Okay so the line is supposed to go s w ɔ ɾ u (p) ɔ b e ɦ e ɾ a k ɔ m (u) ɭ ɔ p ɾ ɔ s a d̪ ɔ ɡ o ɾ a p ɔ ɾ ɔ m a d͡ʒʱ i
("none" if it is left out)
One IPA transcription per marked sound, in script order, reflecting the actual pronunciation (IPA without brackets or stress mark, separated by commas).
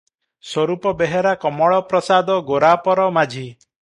p, ɔ